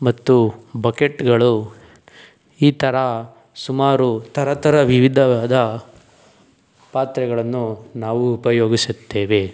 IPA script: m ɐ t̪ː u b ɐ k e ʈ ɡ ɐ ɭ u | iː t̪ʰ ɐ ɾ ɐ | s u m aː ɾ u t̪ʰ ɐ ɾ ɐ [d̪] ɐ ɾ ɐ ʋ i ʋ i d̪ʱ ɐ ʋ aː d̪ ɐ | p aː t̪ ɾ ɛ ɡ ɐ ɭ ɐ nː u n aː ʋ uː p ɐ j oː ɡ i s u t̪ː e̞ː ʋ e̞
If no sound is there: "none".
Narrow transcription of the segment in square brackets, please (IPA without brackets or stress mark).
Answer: t̪